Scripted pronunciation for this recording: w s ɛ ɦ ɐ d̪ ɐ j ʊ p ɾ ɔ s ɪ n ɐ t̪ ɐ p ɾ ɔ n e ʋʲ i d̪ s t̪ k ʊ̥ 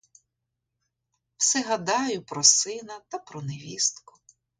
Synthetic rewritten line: w s ɛ ɦ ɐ d̪ ɑ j ʊ p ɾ ɔ s ɪ n ɐ t̪ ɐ p ɾ ɔ n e ʋʲ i s t̪ k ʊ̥